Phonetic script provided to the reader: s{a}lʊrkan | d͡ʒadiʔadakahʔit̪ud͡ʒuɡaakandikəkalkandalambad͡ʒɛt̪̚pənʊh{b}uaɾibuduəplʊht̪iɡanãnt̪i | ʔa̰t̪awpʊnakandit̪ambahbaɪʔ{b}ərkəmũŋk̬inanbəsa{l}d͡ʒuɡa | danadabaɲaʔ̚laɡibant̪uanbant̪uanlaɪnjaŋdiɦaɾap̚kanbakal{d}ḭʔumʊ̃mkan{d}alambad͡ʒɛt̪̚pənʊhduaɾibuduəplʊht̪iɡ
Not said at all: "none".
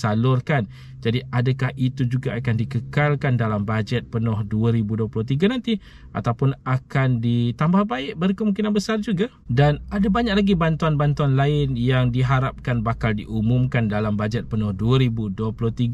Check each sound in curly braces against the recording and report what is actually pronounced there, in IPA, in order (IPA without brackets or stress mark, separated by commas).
a, d, b, r, d, d